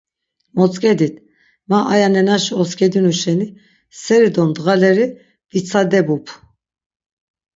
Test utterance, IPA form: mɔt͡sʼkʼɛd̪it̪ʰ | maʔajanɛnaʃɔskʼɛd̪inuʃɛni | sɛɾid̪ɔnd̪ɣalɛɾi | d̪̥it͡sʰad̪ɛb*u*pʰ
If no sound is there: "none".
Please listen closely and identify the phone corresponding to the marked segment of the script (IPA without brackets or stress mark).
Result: u